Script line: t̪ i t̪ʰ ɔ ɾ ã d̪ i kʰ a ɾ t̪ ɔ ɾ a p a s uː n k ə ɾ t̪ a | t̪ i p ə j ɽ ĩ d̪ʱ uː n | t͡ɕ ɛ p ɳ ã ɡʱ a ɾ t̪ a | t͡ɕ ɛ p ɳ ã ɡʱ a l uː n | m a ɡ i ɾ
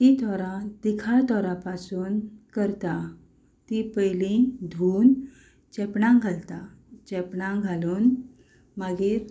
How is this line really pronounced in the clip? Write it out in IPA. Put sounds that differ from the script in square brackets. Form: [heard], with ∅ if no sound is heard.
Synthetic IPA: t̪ i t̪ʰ ɔ ɾ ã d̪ i kʰ a [ɭ] t̪ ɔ ɾ a p a s uː n k ə ɾ t̪ a | t̪ i p ə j [l] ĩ d̪ʱ uː n | t͡ɕ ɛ p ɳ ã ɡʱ a [l] t̪ a | t͡ɕ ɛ p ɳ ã ɡʱ a l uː n | m a ɡ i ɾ